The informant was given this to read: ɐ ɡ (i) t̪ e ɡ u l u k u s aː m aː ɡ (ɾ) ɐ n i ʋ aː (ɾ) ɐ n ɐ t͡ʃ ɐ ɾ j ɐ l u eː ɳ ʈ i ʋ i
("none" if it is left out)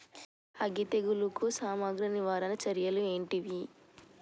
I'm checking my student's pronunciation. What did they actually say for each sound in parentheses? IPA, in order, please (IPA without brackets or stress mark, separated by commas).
i, ɾ, ɾ